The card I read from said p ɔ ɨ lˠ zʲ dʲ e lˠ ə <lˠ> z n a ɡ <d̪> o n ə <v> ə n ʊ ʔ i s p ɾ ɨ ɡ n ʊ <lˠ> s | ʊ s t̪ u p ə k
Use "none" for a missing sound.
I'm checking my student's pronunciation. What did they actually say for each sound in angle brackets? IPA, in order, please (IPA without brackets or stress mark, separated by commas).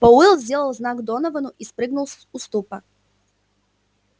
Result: lˠ, d̪, v, lˠ